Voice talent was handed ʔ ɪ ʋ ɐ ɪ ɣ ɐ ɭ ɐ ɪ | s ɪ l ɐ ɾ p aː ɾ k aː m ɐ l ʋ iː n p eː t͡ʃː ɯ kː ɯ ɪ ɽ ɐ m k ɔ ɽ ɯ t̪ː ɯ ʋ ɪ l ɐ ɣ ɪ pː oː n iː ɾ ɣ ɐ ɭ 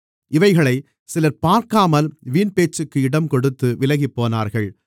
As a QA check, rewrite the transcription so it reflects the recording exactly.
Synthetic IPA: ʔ ɪ ʋ ɐ ɪ ɣ ɐ ɭ ɐ ɪ | s ɪ l ɐ ɾ p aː ɾ k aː m ɐ l ʋ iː n p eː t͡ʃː ɯ kː ɯ ɪ ɽ ɐ m k ɔ ɽ ɯ t̪ː ɯ ʋ ɪ l ɐ ɣ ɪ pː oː n aː ɾ ɣ ɐ ɭ